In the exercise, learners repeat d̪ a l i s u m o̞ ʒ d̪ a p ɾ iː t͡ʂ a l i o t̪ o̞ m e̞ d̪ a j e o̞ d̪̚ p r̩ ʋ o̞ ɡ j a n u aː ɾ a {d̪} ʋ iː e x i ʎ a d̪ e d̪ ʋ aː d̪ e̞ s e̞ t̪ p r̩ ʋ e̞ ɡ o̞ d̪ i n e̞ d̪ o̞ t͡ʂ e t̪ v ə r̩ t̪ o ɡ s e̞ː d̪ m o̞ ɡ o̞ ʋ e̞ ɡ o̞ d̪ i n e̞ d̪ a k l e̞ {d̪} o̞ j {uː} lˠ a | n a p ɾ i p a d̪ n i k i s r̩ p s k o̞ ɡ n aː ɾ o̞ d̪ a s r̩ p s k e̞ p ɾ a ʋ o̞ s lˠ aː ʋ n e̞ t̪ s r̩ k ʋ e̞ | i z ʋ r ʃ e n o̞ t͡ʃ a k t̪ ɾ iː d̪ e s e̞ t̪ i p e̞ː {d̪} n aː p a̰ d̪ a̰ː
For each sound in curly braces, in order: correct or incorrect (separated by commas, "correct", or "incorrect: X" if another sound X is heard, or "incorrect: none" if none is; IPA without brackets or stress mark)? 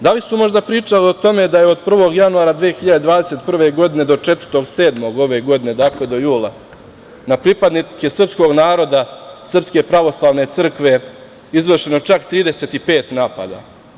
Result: correct, correct, correct, incorrect: t̪